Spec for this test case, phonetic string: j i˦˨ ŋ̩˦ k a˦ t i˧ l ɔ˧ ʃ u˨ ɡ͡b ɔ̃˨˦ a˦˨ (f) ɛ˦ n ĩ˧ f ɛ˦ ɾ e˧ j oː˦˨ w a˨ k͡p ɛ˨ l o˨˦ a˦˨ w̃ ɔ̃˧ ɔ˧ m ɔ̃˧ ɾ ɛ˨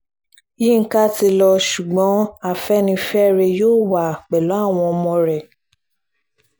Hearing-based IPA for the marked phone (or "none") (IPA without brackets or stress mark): f